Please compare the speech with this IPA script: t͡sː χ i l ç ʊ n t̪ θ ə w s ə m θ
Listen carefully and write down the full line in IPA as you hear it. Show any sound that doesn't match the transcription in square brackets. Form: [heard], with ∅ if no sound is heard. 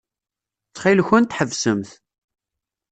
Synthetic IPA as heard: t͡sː χ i l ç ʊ n t̪ [ħ] ə [v] s ə m θ